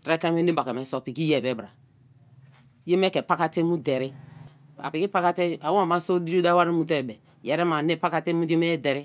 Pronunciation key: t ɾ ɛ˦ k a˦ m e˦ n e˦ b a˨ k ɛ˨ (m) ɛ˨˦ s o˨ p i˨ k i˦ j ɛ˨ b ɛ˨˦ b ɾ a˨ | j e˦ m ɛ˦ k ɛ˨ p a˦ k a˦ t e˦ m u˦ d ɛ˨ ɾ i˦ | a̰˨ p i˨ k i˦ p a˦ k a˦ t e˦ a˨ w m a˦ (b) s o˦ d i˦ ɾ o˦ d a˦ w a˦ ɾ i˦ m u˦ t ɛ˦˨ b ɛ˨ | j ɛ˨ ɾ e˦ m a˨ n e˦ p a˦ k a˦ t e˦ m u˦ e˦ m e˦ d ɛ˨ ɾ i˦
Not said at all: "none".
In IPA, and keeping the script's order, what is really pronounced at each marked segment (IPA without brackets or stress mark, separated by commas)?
m, none